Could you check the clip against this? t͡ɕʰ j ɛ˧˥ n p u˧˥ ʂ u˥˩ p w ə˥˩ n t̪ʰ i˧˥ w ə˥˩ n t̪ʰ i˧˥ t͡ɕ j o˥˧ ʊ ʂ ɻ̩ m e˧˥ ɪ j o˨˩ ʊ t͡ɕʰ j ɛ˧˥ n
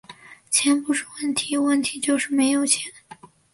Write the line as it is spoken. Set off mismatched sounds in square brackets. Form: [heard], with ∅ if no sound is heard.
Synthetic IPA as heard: t͡ɕʰ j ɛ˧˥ n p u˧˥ ʂ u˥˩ [∅] w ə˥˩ n t̪ʰ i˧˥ w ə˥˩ n t̪ʰ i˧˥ t͡ɕ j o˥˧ ʊ ʂ ɻ̩ m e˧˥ ɪ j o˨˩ ʊ t͡ɕʰ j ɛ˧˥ n